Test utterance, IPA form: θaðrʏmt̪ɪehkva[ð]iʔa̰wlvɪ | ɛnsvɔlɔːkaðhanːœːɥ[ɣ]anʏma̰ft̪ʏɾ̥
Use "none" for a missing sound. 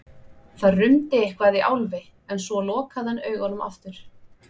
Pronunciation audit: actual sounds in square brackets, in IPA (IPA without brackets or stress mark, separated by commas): ð, ɣ